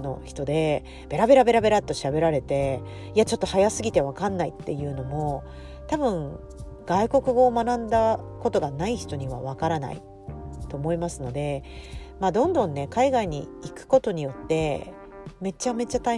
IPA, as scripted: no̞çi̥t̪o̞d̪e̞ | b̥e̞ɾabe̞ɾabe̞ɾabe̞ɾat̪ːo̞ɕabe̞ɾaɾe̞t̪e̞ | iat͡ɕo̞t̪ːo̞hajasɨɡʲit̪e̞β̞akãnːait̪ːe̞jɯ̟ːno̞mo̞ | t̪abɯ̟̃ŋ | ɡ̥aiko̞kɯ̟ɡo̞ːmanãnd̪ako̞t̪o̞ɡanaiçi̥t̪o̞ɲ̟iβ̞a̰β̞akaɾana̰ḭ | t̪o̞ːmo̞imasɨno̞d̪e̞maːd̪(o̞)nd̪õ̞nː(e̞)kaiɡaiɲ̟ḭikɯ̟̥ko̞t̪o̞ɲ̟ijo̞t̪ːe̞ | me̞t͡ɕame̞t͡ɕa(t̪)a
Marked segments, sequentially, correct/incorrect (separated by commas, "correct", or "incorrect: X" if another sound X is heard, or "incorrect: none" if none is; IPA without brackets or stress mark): incorrect: õ̞, correct, correct